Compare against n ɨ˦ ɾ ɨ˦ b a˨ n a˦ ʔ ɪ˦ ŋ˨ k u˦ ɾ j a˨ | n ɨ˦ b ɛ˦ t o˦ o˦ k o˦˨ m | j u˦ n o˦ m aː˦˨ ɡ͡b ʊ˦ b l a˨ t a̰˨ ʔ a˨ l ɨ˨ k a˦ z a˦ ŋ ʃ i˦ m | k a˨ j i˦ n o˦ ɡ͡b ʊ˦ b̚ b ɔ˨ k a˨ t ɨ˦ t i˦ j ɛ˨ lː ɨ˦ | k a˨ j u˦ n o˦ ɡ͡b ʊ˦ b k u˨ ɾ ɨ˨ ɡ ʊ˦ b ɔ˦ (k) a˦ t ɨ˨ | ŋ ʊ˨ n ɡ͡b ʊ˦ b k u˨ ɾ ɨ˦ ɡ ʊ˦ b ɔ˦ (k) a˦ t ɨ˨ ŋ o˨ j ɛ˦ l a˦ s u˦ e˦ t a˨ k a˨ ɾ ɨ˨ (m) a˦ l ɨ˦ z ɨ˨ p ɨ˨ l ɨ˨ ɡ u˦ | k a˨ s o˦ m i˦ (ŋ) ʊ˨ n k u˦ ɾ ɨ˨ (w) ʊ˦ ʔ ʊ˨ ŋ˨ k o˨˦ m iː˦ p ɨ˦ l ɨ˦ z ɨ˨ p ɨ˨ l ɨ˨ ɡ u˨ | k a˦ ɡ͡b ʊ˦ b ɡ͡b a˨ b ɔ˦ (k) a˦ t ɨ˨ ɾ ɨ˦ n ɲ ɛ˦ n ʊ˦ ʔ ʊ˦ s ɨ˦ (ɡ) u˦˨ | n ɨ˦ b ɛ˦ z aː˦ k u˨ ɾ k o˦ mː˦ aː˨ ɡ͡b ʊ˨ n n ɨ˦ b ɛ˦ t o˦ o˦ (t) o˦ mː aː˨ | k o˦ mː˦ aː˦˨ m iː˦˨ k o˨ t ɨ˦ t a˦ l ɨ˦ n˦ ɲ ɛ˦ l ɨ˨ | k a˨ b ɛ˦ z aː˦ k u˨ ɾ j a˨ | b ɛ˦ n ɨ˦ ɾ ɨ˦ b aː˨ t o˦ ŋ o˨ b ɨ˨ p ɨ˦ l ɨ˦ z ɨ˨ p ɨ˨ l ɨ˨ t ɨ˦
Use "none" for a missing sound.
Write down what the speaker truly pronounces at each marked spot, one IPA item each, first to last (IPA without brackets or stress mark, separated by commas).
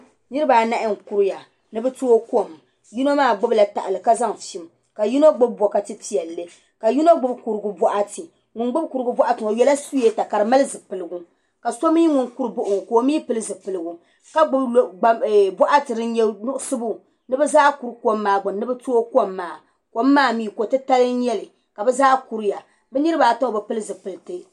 ʔ, ʔ, m, ŋ, b, ʔ, b, k